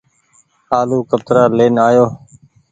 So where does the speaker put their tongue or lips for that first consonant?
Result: tongue tip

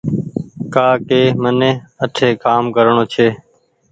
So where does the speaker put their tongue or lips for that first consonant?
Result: velum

